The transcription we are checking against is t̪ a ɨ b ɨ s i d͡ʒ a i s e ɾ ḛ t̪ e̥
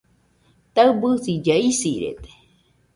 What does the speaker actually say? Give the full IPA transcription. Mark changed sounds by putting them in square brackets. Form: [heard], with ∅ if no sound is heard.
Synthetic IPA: t̪ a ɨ b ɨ s i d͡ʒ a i s [i] ɾ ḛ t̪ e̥